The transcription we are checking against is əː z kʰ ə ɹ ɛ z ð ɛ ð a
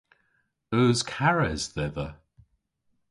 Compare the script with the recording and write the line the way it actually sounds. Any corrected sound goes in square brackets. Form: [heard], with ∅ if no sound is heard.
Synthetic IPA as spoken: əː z kʰ [a] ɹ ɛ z ð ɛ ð [ə]